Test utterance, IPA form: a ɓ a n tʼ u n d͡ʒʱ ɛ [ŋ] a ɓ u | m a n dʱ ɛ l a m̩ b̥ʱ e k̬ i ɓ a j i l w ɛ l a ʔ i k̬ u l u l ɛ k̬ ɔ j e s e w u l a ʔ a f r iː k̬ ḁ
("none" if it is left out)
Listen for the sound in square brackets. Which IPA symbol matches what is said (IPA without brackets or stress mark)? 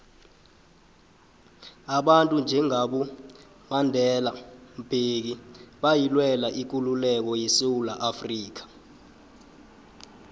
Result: ŋ